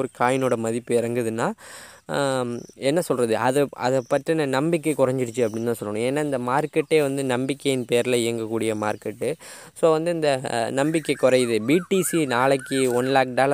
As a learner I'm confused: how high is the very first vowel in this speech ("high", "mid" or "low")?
high